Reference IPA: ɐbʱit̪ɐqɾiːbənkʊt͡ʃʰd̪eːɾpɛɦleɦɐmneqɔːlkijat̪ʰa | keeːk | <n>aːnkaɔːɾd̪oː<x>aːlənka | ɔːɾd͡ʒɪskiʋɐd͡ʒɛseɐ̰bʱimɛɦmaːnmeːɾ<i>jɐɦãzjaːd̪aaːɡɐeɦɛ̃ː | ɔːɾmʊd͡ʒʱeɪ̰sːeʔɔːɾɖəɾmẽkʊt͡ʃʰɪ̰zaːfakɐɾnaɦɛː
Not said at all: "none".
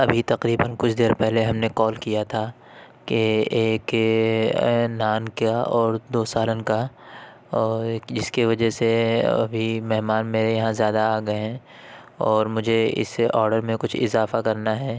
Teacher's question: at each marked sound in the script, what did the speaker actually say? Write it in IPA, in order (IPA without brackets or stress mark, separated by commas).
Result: n, s, e